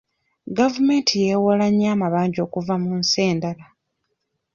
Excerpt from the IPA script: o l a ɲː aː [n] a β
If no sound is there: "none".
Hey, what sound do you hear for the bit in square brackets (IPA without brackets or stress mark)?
m